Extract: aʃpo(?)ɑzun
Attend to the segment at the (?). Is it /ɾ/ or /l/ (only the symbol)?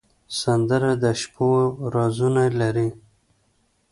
ɾ